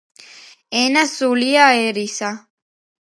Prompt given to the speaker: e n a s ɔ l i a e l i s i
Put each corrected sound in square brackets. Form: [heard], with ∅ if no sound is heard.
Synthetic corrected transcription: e n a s [u] l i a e [ɾ] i s [a]